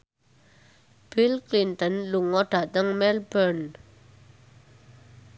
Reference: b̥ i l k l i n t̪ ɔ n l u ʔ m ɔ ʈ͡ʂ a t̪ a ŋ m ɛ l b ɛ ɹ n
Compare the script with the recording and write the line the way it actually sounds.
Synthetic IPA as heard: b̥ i l k l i n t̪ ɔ n l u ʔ ŋ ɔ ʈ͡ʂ a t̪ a ŋ m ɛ l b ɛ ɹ n